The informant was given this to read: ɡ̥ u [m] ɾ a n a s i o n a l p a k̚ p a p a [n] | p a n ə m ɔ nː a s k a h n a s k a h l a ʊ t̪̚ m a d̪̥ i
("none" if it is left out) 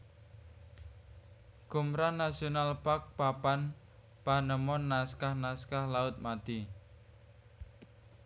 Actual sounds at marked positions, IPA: m, n

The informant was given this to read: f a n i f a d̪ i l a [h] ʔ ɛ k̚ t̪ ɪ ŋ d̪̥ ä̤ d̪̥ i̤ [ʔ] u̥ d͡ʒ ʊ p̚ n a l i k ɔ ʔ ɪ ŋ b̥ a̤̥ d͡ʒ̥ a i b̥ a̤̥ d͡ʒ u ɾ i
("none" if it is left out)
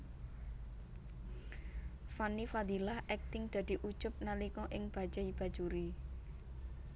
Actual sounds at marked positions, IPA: h, ʔ

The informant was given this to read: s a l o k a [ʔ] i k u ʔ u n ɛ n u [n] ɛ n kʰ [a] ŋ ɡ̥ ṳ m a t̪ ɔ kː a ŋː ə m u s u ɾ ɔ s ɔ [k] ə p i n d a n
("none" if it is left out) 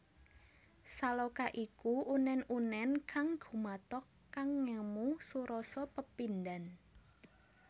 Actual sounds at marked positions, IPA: ʔ, n, a, p

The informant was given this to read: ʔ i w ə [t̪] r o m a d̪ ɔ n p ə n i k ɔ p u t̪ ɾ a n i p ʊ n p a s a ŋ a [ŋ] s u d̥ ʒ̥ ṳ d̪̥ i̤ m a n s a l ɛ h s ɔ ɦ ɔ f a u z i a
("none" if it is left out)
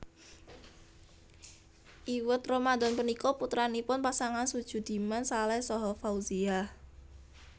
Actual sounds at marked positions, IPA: t̪, n

